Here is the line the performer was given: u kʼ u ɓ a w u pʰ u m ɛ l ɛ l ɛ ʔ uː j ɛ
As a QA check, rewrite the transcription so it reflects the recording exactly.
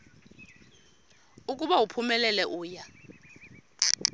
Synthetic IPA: u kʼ u ɓ a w u pʰ u m ɛ l ɛ l ɛ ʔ uː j a